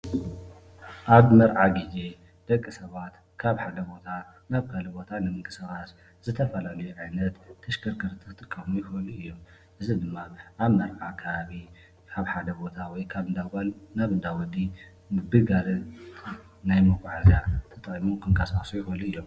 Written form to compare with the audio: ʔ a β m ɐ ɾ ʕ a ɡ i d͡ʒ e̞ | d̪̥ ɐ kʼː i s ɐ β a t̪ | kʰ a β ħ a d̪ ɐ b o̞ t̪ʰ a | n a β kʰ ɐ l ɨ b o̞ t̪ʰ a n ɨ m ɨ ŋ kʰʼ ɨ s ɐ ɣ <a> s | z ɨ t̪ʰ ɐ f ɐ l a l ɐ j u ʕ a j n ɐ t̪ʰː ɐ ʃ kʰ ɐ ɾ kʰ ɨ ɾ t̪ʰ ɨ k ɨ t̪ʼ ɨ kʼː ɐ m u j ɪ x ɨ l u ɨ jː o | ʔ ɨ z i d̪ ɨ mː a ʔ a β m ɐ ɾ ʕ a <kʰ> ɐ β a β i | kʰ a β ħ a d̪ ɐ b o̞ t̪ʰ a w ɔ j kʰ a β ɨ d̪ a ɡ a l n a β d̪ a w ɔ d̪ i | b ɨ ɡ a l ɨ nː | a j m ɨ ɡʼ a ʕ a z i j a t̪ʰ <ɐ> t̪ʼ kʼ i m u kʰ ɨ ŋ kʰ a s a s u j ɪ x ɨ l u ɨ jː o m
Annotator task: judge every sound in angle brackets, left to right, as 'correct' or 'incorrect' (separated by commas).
correct, correct, correct